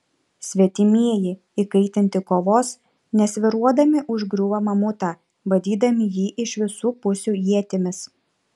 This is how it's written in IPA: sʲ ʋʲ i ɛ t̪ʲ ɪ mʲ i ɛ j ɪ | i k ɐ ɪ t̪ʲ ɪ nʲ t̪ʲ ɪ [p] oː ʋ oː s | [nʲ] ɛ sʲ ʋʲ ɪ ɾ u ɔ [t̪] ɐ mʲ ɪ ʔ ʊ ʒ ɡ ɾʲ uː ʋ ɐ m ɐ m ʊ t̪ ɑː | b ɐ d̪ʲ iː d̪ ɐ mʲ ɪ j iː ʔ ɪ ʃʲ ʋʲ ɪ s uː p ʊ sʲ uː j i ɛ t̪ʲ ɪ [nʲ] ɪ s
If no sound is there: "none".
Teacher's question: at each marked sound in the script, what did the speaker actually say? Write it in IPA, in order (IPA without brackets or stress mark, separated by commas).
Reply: k, nʲ, d̪, mʲ